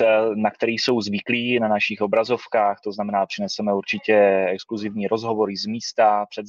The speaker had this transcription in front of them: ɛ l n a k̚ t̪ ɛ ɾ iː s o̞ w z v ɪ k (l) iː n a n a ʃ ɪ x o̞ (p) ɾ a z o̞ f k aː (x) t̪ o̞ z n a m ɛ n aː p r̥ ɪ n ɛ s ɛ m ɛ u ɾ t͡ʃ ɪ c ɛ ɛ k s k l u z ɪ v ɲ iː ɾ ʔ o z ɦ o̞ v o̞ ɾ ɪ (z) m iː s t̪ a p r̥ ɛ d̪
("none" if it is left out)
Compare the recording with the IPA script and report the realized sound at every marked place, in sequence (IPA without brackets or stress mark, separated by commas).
l, b, x, z